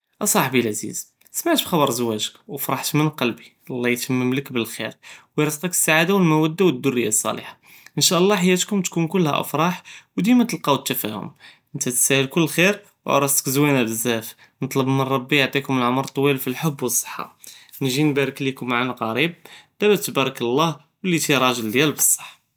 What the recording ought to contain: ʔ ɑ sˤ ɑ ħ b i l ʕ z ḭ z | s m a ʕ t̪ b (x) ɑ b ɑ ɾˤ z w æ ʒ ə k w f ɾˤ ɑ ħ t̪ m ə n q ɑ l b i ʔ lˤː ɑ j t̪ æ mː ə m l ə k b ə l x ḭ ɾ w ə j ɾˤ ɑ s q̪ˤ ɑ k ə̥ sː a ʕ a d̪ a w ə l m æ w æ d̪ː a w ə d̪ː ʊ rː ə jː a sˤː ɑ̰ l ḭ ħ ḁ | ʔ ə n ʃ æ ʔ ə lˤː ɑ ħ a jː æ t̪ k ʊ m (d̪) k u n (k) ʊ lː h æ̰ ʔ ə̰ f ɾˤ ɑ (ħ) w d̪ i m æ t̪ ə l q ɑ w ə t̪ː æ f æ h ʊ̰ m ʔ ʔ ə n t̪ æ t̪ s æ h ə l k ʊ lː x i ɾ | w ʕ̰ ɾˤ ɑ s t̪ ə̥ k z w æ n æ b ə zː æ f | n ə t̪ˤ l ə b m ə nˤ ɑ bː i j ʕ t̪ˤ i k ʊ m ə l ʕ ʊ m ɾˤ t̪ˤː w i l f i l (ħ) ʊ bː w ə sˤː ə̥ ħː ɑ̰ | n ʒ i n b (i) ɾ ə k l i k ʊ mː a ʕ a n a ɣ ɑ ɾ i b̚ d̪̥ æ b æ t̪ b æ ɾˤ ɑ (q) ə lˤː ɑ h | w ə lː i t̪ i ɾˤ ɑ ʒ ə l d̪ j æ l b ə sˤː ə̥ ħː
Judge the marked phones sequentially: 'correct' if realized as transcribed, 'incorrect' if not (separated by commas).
correct, incorrect, correct, correct, correct, incorrect, incorrect